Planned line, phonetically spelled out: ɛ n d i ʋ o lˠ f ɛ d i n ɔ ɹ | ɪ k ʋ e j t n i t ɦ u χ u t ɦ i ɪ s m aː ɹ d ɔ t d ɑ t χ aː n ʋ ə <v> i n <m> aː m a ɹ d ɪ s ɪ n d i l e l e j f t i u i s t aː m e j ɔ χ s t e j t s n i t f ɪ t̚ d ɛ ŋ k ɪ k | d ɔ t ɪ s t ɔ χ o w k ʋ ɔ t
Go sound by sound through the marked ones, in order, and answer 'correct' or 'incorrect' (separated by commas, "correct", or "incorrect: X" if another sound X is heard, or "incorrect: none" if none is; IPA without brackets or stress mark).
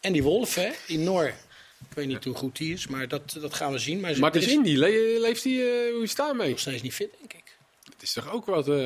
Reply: incorrect: z, correct